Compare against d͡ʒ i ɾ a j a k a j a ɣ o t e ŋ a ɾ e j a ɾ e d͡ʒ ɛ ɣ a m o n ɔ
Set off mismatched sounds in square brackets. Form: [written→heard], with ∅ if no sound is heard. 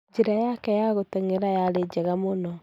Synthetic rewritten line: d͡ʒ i ɾ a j a k [a→ɛ] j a ɣ o t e ŋ [a→e] ɾ [e→a] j a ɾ e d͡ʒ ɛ ɣ a m o n ɔ